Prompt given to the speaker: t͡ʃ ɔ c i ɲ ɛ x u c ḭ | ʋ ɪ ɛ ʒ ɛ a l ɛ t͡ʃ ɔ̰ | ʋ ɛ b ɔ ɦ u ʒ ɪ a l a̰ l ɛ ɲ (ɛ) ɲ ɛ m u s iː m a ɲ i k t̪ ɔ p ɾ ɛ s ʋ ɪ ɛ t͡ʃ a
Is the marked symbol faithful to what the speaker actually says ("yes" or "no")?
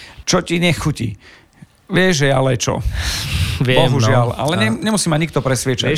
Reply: yes